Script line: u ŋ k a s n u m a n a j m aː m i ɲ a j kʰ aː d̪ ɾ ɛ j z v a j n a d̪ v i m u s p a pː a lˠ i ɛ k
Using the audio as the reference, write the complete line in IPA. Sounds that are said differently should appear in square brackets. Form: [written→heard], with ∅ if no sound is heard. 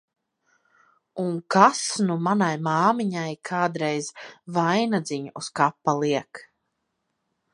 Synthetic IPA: u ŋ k a s n u m a n a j m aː m i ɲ a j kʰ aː d̪ ɾ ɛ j z v a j n a d̪ [v→z] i [m→ɲ] u s [p→k] a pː a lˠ i ɛ k